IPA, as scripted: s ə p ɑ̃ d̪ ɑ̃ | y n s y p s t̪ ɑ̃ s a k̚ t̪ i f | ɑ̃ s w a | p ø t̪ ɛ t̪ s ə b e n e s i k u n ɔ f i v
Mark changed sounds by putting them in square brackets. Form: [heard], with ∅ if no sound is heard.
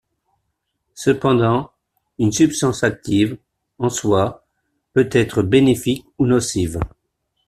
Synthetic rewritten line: s ə p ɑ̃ d̪ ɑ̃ | y n s y p s t̪ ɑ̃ s a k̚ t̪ i [v] | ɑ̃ s w a | p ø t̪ ɛ t̪ [χ] ə b e n e [f] i k u n ɔ [s] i v